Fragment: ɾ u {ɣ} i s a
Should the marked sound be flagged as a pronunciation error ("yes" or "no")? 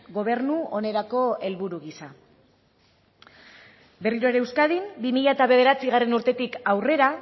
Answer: no